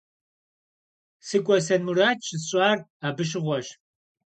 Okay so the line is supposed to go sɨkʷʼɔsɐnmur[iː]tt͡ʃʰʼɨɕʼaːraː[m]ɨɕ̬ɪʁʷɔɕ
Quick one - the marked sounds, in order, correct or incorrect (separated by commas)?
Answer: incorrect, incorrect